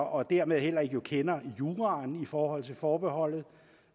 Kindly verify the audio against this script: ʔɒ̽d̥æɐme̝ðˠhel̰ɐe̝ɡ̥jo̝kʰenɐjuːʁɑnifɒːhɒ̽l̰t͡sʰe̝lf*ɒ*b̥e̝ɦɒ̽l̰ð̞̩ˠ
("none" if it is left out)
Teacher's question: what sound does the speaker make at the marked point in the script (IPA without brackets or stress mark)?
ɒː